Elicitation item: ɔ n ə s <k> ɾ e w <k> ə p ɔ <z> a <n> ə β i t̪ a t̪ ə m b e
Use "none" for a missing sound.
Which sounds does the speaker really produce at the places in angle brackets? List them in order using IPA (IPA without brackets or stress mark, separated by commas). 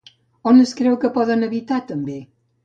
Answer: k, k, ð, n